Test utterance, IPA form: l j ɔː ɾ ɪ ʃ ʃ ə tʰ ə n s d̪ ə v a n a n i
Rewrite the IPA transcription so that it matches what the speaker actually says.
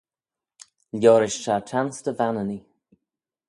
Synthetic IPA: l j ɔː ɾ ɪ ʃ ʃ a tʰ a n s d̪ ə v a n ə n i